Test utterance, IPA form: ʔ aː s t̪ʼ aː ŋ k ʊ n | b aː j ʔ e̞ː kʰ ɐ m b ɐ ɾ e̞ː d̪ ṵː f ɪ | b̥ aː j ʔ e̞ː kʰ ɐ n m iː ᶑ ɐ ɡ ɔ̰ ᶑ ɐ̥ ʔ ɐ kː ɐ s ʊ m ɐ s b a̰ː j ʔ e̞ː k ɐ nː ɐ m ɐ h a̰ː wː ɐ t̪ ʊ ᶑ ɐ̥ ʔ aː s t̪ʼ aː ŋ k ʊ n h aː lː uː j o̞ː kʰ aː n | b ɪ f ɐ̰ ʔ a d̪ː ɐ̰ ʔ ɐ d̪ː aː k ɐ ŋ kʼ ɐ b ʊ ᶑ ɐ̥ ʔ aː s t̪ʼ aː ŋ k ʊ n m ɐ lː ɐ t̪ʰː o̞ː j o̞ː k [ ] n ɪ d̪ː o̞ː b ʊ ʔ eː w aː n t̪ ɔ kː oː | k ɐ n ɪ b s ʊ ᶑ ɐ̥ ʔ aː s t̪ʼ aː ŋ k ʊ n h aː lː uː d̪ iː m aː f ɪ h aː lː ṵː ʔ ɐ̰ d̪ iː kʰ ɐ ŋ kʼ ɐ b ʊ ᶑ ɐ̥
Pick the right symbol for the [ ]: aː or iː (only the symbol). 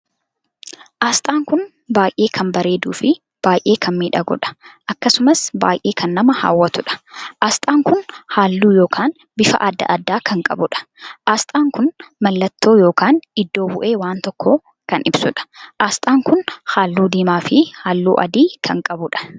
aː